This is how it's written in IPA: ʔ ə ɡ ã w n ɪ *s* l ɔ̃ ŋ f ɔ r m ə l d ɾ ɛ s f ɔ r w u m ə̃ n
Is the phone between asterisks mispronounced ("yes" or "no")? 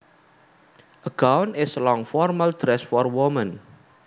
no